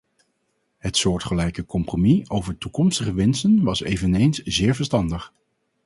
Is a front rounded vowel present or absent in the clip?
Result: absent